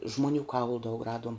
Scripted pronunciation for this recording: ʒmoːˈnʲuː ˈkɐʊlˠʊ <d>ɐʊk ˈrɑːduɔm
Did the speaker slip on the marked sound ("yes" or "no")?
no